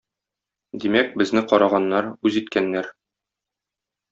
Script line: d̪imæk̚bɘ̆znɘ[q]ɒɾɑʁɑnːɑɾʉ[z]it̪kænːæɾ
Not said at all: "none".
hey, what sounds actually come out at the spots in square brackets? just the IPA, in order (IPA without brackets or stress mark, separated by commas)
q, z